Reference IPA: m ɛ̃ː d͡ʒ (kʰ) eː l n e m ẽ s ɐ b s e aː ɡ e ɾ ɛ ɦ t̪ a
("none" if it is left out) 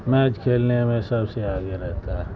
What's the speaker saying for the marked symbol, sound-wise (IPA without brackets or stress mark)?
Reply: kʰ